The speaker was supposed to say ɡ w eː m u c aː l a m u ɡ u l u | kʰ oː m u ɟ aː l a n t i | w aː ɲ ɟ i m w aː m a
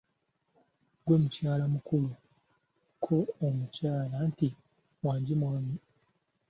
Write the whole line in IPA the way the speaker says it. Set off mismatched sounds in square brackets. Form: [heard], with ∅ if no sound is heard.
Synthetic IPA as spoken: ɡ w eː m u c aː l a m u [k] u l u | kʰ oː m u [c] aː l a n t i | w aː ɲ ɟ i m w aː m [i]